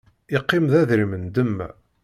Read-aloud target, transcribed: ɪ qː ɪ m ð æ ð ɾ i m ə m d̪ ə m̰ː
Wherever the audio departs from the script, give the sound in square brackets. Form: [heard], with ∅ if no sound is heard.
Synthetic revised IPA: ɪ qː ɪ m ð æ ð ɾ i m ə [n] d̪ ə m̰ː